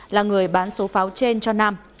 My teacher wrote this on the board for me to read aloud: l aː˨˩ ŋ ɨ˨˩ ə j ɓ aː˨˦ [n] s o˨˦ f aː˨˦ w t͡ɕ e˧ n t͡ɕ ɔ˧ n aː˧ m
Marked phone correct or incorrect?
correct